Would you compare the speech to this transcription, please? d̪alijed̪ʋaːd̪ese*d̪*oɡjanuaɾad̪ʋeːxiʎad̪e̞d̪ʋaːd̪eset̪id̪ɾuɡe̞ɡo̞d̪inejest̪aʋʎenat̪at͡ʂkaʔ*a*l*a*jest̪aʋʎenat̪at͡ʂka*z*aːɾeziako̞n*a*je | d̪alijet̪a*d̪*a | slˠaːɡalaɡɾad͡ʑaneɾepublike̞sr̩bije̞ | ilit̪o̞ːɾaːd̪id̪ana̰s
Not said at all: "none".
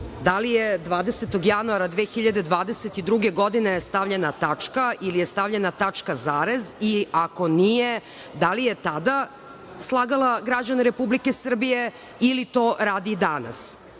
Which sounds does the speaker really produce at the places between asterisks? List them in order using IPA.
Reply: t̪, i, i, z, i, d̪

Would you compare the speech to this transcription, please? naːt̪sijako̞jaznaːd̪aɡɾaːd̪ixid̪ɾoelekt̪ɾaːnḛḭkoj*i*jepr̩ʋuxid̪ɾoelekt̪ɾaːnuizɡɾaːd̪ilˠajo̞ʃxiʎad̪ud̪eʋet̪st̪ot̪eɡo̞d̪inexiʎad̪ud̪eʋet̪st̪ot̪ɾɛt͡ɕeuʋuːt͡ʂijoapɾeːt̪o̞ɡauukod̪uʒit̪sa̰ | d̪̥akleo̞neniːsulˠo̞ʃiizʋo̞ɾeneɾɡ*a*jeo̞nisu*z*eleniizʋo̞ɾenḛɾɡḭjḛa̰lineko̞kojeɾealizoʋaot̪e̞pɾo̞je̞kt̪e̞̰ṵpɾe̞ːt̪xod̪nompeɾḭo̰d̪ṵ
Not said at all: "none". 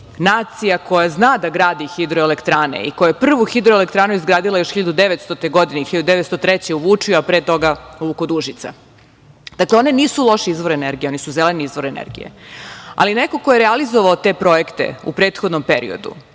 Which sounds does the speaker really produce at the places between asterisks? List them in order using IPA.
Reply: a, i, z

